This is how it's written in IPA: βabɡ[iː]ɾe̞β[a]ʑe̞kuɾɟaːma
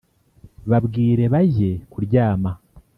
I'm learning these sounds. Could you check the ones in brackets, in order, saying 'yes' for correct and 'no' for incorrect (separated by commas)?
yes, yes